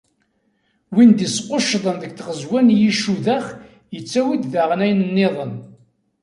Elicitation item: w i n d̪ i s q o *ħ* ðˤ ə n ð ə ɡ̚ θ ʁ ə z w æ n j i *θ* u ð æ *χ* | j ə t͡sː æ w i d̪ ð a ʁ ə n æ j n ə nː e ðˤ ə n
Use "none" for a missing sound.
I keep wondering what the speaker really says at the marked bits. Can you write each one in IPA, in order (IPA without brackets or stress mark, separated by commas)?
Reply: ʃ, ʃ, χ